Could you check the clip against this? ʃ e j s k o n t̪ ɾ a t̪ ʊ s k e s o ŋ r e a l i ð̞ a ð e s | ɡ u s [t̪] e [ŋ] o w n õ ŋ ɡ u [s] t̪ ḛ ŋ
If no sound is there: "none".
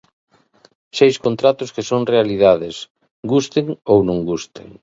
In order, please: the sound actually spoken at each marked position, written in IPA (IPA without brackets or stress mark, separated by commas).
t̪, ŋ, s